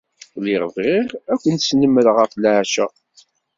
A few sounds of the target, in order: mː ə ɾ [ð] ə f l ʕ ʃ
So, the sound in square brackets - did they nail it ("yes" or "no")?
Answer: no